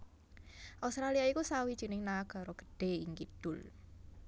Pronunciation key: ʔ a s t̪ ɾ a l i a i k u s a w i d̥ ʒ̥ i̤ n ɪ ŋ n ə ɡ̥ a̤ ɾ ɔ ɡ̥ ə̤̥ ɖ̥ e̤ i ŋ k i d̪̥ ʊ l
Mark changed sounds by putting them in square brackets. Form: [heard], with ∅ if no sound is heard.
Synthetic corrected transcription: ʔ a s t̪ ɾ a l i a i k u s a w i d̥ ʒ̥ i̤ n ɪ ŋ n [a] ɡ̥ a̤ ɾ ɔ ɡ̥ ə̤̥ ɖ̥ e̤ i ŋ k i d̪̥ ʊ l